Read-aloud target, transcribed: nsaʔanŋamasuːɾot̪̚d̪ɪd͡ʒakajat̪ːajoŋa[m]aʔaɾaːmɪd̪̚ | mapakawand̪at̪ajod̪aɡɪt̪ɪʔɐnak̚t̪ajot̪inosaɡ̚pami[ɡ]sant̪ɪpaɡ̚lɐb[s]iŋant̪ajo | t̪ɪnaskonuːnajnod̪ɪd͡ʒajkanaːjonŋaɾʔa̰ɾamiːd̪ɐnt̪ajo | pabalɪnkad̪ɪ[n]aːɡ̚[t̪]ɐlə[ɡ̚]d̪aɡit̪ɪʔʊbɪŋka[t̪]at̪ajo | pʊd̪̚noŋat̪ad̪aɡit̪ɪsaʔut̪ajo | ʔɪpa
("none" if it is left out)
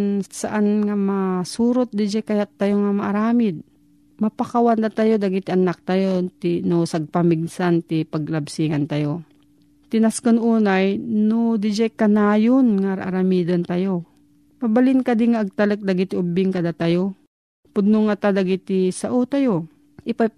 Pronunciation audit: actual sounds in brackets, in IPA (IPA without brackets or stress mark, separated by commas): m, ɡ, s, ŋ, t̪, k̚, d̪